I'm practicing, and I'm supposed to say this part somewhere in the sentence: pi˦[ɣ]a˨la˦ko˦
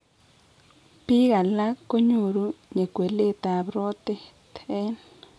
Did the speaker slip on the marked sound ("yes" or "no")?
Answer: no